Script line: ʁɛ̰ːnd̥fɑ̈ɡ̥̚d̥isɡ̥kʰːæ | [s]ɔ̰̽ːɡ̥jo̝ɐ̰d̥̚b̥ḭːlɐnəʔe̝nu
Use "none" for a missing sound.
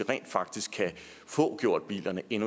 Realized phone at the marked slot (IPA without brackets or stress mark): f